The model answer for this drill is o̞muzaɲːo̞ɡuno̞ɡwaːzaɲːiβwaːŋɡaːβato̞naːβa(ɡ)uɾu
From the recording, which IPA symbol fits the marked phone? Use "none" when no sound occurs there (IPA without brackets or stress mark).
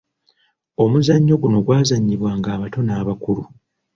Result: k